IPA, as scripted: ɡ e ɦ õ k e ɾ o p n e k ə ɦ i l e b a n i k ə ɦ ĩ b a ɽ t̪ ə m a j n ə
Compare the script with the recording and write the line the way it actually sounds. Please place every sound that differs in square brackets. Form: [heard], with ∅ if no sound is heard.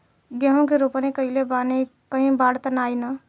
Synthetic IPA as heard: ɡ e ɦ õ k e ɾ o p n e k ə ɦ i l e b a n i k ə ɦ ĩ b a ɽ t̪ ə [n] a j n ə